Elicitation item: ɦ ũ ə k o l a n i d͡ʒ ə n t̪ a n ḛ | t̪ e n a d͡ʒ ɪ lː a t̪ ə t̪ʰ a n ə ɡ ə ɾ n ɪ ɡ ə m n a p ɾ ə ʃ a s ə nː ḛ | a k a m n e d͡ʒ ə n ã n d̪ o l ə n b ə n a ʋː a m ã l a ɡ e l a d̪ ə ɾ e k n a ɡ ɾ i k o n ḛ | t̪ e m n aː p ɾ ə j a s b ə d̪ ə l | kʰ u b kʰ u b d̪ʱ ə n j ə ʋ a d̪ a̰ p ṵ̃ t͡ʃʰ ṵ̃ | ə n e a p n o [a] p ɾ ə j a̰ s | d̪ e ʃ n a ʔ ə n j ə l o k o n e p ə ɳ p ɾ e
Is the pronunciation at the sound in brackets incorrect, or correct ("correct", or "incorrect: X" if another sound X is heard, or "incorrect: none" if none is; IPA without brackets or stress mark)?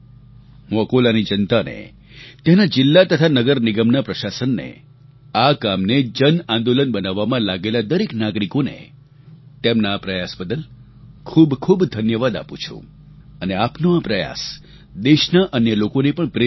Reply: correct